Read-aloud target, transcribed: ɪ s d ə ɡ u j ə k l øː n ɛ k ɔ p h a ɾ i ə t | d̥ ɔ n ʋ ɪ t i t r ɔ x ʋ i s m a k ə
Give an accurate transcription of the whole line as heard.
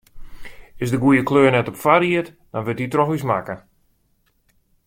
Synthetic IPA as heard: ɪ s d ə ɡ u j ə k l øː n ɛ t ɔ p f a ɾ i ə t | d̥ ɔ n ʋ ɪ t i t r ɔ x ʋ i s m a k ə